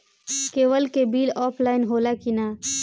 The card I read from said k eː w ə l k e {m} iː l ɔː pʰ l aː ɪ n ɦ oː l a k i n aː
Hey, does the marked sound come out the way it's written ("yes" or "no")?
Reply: no